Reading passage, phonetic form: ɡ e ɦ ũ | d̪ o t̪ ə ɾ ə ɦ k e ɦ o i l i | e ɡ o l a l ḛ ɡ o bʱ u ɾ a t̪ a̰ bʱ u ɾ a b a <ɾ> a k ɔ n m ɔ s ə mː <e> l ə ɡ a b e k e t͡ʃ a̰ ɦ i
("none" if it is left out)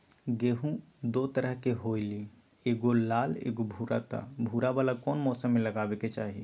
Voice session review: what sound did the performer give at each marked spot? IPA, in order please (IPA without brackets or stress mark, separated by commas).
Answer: l, e